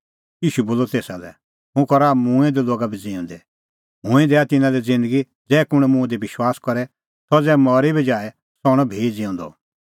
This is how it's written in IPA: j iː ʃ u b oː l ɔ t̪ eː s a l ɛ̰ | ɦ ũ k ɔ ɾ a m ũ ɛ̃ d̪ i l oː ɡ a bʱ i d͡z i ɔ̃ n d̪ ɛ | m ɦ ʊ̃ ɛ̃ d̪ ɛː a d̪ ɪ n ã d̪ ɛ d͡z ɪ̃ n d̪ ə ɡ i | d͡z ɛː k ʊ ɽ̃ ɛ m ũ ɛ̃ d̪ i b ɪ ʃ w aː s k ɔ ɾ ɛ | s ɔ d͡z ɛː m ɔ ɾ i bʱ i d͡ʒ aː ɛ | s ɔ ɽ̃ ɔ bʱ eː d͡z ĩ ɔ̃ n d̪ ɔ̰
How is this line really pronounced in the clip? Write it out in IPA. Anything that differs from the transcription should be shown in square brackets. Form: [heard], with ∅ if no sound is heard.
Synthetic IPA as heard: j iː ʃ u b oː l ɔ t̪ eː s a l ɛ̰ | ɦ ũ k ɔ ɾ a m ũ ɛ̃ d̪ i l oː ɡ a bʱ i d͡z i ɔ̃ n d̪ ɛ | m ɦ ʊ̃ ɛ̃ d̪ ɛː a [t̪] ɪ n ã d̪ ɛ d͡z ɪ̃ n d̪ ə ɡ i | d͡z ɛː k ʊ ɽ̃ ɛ m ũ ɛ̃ d̪ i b ɪ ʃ w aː s k ɔ ɾ ɛ | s ɔ d͡z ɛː m ɔ ɾ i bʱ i d͡ʒ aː ɛ | s ɔ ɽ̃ ɔ bʱ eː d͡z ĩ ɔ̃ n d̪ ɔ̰